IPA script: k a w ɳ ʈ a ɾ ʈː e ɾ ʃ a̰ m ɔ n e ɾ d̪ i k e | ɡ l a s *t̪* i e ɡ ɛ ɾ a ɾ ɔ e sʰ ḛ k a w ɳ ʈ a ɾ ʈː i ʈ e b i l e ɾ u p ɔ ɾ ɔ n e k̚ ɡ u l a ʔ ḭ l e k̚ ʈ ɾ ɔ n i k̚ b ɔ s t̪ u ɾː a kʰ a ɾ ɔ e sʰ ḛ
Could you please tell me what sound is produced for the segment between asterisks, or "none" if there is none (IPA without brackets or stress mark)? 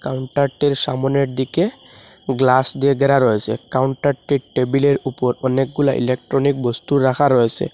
d̪